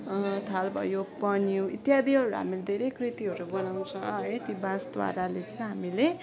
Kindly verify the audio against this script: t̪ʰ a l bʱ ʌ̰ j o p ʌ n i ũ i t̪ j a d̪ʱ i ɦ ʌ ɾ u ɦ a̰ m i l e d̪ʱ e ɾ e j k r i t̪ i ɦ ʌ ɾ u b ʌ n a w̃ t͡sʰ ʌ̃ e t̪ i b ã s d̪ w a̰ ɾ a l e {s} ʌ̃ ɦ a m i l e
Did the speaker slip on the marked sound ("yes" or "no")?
yes